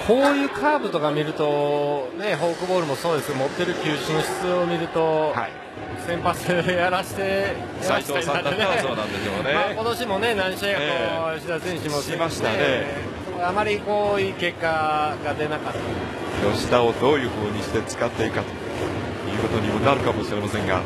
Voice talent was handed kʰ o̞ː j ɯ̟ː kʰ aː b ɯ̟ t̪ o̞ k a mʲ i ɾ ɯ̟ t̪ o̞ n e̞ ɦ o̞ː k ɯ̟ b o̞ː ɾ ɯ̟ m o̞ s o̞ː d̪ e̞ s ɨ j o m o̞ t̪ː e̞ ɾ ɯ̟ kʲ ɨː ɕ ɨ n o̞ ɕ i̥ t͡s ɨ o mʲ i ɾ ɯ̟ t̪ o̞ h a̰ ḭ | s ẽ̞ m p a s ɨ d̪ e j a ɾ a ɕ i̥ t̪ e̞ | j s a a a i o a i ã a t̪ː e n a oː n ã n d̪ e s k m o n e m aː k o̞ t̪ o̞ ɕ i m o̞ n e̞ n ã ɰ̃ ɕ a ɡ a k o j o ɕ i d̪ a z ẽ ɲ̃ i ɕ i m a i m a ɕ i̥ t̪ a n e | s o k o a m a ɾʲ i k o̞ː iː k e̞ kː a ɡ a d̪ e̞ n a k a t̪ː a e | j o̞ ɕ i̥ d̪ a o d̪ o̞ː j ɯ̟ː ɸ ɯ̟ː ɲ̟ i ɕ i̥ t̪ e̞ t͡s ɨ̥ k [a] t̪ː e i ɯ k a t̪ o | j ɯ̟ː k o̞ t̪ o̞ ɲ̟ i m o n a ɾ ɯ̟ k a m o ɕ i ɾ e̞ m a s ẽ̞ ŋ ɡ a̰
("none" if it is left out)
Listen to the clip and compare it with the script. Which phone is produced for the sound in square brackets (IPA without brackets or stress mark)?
a